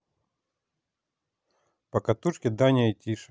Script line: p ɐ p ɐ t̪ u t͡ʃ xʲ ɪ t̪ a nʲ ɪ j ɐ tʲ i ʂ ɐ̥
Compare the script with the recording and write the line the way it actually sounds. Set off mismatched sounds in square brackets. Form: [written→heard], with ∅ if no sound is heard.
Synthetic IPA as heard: p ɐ [p→k] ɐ t̪ u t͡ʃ [xʲ→kʲ] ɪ [t̪→d̪] a nʲ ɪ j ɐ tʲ i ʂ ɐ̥